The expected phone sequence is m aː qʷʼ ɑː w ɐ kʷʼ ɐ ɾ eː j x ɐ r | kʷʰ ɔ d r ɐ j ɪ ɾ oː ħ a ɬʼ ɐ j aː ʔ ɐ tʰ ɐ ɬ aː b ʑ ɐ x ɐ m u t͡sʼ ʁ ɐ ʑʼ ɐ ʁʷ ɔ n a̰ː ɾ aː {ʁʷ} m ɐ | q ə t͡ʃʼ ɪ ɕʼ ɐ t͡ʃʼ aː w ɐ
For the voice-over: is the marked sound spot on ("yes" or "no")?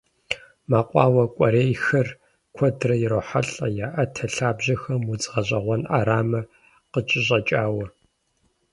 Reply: no